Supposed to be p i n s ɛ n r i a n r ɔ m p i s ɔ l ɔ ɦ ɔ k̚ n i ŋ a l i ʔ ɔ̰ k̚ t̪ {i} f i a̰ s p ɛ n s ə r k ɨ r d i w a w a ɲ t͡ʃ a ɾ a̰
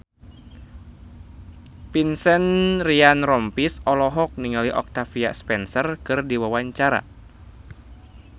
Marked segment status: incorrect: a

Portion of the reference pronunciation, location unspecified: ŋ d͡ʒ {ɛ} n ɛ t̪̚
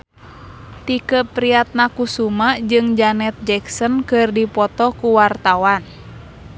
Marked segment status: incorrect: a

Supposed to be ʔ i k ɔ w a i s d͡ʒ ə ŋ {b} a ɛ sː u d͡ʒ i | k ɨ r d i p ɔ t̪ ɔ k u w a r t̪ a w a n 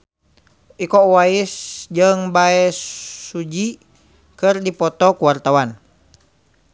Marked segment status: correct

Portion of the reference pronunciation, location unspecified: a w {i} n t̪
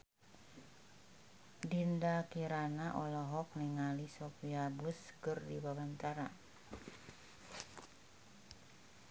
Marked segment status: incorrect: a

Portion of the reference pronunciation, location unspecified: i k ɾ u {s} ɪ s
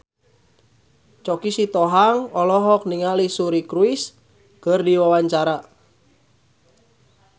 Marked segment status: incorrect: none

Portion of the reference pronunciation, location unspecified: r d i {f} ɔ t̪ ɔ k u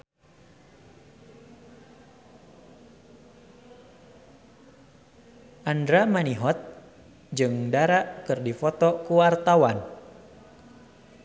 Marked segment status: correct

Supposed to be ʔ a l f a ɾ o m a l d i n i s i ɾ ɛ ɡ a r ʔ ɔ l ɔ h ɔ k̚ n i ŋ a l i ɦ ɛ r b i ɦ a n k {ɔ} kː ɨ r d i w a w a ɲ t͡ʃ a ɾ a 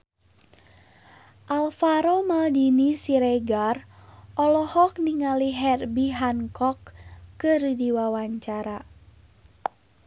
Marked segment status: correct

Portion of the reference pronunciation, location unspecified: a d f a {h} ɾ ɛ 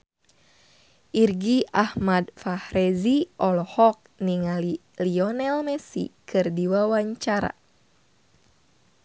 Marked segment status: correct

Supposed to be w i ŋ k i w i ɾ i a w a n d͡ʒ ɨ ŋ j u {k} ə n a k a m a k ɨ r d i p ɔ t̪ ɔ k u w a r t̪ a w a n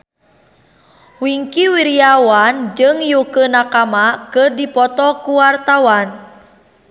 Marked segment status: correct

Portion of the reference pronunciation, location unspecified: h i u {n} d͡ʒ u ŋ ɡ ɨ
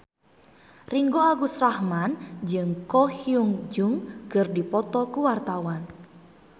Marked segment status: incorrect: ŋ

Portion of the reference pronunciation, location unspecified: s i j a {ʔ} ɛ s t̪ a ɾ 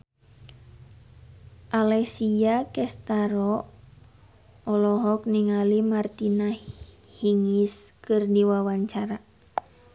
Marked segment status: incorrect: k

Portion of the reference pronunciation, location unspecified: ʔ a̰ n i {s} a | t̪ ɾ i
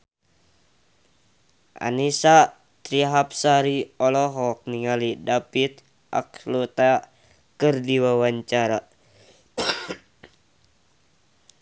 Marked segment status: correct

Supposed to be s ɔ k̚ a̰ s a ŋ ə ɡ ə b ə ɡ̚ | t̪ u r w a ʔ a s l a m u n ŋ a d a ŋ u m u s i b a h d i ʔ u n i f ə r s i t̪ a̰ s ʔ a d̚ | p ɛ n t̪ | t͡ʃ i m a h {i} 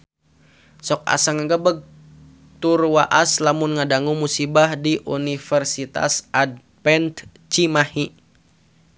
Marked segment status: correct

